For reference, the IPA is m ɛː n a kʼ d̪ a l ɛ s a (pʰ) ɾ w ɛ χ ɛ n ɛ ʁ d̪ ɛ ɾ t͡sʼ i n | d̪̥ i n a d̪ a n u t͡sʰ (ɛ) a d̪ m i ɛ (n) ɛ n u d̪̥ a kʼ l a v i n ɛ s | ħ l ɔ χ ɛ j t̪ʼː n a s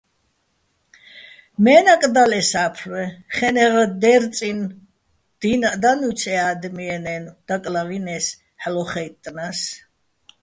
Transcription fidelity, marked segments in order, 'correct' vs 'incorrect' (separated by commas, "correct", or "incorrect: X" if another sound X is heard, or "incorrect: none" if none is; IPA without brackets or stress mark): correct, correct, correct